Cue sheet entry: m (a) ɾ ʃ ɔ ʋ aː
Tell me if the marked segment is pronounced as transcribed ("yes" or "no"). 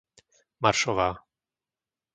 yes